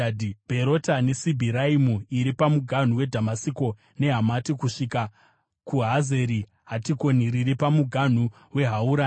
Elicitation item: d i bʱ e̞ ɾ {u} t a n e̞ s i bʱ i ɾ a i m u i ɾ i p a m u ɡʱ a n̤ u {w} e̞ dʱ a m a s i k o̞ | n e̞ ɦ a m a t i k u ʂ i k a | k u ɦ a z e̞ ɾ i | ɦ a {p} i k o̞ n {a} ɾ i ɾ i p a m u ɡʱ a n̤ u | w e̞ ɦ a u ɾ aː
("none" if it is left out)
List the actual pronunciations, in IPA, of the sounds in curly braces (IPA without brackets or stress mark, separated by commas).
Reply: o, w, t, i